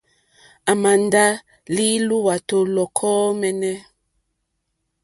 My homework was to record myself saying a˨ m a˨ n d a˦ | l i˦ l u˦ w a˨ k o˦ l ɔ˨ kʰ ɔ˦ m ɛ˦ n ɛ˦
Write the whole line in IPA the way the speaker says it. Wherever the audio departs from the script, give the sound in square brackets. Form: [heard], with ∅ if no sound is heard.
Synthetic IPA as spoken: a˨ m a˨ n d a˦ | l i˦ l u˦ w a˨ [t] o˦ l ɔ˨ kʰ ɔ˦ m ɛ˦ n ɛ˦